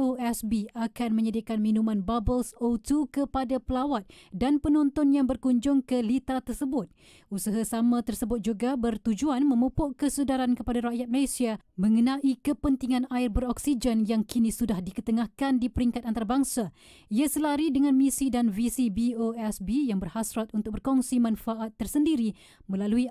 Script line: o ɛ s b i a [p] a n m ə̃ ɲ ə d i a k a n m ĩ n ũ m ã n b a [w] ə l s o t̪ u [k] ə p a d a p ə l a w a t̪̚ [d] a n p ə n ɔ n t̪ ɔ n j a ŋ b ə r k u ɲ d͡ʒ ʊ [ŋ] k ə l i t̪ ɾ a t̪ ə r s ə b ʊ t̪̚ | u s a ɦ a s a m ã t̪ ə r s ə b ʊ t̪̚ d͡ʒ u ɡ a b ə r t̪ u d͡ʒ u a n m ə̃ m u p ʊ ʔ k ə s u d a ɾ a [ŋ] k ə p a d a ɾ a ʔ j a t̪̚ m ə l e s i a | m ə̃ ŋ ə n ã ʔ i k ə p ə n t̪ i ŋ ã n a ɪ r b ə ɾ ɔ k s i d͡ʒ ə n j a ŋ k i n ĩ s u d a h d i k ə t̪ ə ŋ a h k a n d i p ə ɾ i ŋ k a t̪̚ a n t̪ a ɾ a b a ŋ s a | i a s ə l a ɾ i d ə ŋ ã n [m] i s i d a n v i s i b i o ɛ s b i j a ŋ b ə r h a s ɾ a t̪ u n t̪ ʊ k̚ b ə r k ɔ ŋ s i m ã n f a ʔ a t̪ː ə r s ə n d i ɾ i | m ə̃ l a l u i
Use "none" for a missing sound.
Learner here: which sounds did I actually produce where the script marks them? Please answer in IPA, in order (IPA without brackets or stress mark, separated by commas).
k, b, k, d, ŋ, n, m